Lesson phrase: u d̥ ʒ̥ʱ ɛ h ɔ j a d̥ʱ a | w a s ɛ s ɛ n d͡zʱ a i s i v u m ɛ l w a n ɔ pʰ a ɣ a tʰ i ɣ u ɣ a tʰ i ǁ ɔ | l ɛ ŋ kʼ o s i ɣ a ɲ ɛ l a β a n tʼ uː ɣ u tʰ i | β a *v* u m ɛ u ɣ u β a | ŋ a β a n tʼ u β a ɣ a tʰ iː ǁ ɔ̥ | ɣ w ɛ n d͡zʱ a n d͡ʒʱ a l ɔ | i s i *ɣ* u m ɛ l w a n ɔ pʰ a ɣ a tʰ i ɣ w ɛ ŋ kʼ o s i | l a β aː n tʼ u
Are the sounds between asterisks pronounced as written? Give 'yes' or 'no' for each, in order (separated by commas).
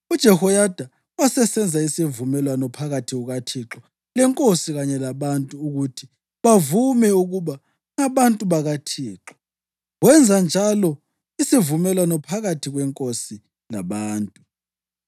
yes, no